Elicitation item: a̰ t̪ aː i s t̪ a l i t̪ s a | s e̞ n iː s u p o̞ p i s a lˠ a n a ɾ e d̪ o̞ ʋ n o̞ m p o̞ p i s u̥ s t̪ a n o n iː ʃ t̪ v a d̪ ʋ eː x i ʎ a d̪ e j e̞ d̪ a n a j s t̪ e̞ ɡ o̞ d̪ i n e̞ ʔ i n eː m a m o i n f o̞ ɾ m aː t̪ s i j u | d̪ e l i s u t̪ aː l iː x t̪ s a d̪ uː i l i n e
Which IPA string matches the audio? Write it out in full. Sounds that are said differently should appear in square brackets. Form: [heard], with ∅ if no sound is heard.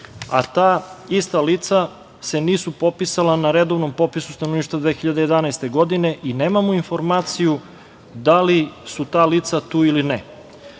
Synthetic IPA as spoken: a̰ t̪ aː i s t̪ a l i t̪ s a | s e̞ n iː s u p o̞ p i s a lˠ a n a ɾ e d̪ o̞ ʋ n o̞ m p o̞ p i s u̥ s t̪ a n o n iː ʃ t̪ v a d̪ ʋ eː x i ʎ a d̪ e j e̞ d̪ a n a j s t̪ e̞ ɡ o̞ d̪ i n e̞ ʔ i n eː m a m o i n f o̞ ɾ m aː t̪ s i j u | d̪ [a] l i s u t̪ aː l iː [∅] t̪ s a [t̪] uː i l i n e

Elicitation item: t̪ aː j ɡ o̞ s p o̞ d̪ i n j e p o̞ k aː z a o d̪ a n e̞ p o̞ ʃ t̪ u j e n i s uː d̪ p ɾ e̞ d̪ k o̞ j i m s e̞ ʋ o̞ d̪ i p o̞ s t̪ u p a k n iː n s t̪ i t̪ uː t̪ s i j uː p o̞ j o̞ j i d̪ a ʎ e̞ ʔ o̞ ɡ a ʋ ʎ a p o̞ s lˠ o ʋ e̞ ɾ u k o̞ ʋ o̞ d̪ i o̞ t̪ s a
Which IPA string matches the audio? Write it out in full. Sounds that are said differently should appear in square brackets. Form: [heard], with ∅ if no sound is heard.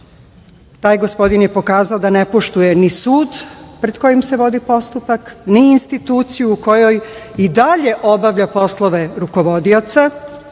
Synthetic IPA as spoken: t̪ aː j ɡ o̞ s p o̞ d̪ i n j e p o̞ k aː z a o d̪ a n e̞ p o̞ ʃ t̪ u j e n i s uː d̪ p ɾ e̞ d̪ k o̞ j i m s e̞ ʋ o̞ d̪ i p o̞ s t̪ u p a k n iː n s t̪ i t̪ uː t̪ s i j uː [k] o̞ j o̞ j i d̪ a ʎ e̞ ʔ o̞ [b] a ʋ ʎ a p o̞ s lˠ o ʋ e̞ ɾ u k o̞ ʋ o̞ d̪ i o̞ t̪ s a

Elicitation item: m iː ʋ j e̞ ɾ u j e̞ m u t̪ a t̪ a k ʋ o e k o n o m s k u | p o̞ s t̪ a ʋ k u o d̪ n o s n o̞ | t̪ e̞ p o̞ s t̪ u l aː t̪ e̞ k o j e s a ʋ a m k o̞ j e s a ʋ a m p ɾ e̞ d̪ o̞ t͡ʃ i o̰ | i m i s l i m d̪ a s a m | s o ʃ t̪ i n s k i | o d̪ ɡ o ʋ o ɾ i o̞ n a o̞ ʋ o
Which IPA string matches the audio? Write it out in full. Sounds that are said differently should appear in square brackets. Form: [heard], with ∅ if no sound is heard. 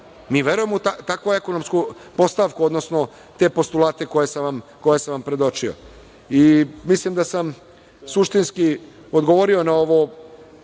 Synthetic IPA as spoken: m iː ʋ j e̞ ɾ u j e̞ m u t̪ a t̪ a k ʋ o e k o n o m s k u | p o̞ s t̪ a ʋ k u o d̪ n o s n o̞ | t̪ e̞ p o̞ s t̪ u l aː t̪ e̞ k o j e s a ʋ a m k o̞ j e s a ʋ a m p ɾ e̞ d̪ o̞ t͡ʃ i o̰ | i m i s l i m d̪ a s a m | s [u] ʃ t̪ i n s k i | o d̪ ɡ o ʋ o ɾ i o̞ n a o̞ ʋ o

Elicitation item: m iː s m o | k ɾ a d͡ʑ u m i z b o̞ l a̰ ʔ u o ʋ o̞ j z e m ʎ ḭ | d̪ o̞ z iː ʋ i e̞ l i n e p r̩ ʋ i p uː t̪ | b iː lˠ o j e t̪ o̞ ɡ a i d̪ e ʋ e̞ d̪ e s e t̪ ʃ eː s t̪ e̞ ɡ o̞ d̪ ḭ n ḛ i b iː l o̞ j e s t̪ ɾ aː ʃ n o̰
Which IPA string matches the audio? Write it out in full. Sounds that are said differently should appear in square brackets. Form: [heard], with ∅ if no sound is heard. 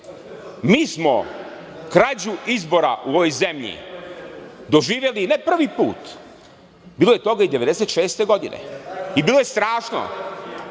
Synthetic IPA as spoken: m iː s m o | k ɾ a d͡ʑ u [∅] i z b o̞ [ɾ] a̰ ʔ u o ʋ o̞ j z e m ʎ ḭ | d̪ o̞ [ʒ] iː ʋ [j] e̞ l i n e p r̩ ʋ i p uː t̪ | b iː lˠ o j e t̪ o̞ ɡ a i d̪ e ʋ e̞ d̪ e s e t̪ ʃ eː s t̪ e̞ ɡ o̞ d̪ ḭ n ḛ i b iː l o̞ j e s t̪ ɾ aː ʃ n o̰

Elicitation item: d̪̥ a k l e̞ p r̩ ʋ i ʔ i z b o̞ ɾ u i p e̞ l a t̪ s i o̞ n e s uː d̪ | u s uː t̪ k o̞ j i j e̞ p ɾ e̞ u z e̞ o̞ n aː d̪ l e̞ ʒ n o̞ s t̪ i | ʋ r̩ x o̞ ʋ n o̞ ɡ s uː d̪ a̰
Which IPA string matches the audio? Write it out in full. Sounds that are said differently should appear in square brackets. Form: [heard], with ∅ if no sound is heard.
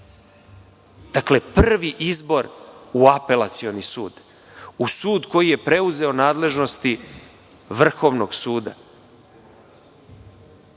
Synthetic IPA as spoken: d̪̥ a k l e̞ p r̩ ʋ i ʔ i z b o̞ ɾ u [a] p e̞ l a t̪ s i o̞ n [i] s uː d̪ | u s uː [d̪] k o̞ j i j e̞ p ɾ e̞ u z e̞ o̞ n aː d̪ l e̞ ʒ n o̞ s t̪ i | ʋ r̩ x o̞ ʋ n o̞ ɡ s uː d̪ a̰

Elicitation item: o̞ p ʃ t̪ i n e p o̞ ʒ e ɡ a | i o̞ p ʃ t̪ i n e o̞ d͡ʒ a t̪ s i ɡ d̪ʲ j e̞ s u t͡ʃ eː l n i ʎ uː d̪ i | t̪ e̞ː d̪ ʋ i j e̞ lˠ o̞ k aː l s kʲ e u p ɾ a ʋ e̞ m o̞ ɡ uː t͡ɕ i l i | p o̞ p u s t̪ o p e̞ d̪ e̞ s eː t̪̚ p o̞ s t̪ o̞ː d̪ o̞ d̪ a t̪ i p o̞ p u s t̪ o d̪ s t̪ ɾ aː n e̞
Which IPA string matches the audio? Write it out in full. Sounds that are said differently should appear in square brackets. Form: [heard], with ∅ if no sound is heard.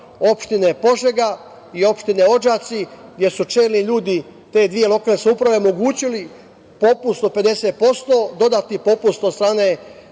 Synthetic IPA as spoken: o̞ p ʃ t̪ i n e p o̞ ʒ e ɡ a | i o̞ p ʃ t̪ i n e o̞ d͡ʒ a t̪ s i ɡ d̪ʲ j e̞ s u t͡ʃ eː l n i ʎ uː d̪ i | t̪ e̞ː d̪ ʋ i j e̞ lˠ o̞ k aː l s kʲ e u p ɾ a ʋ e̞ m o̞ ɡ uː t͡ɕ i l i | p o̞ p u s t̪ o p e̞ d̪ e̞ s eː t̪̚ p o̞ s t̪ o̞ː d̪ o̞ d̪ a t̪ i p o̞ p u s t̪ o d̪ s t̪ ɾ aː n e̞

